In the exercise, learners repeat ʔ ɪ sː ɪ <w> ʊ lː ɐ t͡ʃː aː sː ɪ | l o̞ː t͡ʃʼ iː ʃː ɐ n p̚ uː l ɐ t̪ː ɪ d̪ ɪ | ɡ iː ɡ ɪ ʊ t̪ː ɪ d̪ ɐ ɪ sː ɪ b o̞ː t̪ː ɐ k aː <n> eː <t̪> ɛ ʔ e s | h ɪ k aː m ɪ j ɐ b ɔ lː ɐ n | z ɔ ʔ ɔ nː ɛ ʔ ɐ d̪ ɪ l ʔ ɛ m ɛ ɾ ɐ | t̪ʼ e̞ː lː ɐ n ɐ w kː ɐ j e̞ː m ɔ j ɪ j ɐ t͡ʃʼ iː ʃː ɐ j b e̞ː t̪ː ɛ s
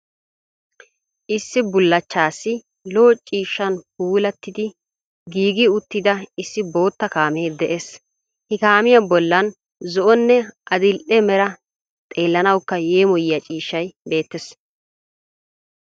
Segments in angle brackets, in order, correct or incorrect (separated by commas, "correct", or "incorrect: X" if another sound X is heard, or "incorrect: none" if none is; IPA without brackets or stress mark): incorrect: b, incorrect: m, incorrect: d̪